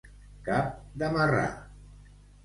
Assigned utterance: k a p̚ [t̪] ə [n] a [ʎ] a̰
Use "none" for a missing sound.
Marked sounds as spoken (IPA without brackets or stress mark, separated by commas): d̪, m, r